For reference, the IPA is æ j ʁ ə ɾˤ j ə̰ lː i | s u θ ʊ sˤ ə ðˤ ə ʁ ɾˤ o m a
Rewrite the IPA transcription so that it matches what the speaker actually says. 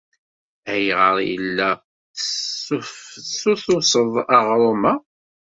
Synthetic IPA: æ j ʁ ə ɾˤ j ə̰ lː æ | s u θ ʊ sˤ ə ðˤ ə ʁ ɾˤ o m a